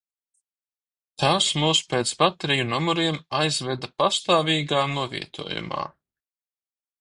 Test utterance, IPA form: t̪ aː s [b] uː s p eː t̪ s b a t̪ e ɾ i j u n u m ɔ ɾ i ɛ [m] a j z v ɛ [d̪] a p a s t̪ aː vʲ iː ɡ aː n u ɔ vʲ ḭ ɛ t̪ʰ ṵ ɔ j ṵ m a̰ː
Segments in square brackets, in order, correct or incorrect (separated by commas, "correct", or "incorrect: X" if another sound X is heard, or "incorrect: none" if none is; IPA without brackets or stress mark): incorrect: m, correct, correct